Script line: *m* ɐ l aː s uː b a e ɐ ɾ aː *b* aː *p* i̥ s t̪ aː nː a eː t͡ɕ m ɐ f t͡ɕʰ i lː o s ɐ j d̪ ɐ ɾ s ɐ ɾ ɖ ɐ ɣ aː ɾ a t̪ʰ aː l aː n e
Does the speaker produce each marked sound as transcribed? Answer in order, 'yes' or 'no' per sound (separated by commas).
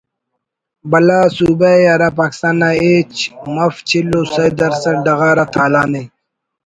no, no, no